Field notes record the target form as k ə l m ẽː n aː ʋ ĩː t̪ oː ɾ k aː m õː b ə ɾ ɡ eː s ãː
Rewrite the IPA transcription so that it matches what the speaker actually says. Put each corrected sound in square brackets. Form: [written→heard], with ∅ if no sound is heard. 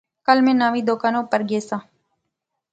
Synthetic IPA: k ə l m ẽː n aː ʋ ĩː [t̪→d̪] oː [ɾ→∅] k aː [m→n] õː [b→p] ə ɾ ɡ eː s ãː